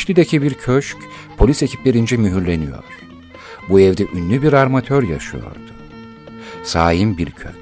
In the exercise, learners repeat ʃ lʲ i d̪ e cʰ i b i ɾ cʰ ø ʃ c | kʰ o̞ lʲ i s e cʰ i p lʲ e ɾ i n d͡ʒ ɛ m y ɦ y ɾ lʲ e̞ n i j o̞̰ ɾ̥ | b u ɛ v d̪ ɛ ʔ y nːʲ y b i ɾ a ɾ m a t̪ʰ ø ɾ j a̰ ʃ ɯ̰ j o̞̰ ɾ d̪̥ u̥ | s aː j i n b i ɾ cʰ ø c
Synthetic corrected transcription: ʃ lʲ i d̪ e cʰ i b i ɾ cʰ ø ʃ c | pʰ o̞ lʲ i s e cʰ i p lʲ e ɾ i n d͡ʒ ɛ m y ɦ y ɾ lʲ e̞ n i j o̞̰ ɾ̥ | b u ɛ v d̪ ɛ ʔ y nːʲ y b i ɾ a ɾ m a t̪ʰ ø ɾ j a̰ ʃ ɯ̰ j o̞̰ ɾ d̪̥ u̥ | s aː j i m b i ɾ cʰ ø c